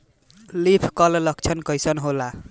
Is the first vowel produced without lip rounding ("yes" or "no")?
yes